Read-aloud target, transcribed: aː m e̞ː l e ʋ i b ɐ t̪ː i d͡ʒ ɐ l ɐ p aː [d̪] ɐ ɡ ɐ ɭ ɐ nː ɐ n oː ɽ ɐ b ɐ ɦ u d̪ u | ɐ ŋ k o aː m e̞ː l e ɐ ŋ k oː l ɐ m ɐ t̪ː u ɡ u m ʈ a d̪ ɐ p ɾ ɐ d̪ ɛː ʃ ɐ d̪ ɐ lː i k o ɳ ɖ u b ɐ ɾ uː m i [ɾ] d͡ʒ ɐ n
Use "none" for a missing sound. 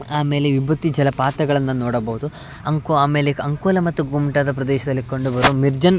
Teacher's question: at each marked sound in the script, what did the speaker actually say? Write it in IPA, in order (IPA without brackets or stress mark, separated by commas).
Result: t̪, ɾ